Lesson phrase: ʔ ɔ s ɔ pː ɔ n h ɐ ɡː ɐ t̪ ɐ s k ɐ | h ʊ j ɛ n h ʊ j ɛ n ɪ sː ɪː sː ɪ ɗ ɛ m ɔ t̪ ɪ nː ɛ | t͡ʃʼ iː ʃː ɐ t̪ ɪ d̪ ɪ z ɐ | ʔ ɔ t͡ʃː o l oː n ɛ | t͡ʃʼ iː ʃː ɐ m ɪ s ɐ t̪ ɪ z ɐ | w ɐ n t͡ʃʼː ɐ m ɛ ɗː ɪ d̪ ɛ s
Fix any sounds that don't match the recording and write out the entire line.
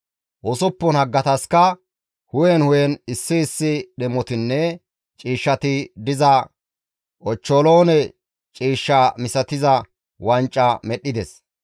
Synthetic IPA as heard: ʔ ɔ s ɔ pː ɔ n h ɐ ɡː ɐ t̪ ɐ s k ɐ | h ʊ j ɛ n h ʊ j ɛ n ɪ sː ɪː sː ɪ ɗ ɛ m ɔ t̪ ɪ nː ɛ | t͡ʃʼ iː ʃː ɐ t̪ ɪ d̪ ɪ z ɐ | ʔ ɔ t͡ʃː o l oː n ɛ | t͡ʃʼ iː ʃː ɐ m ɪ s ɐ t̪ ɪ z ɐ | w ɐ n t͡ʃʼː ɐ m ɛ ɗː ɪ d̪ ɛ s